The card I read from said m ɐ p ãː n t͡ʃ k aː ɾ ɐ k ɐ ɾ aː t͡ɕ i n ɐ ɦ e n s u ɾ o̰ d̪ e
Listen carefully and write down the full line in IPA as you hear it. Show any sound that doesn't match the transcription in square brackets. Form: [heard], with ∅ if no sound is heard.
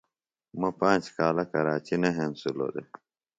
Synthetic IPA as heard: m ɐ p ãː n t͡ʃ k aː [l] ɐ k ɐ ɾ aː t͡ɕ i n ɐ ɦ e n s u [l] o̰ d̪ e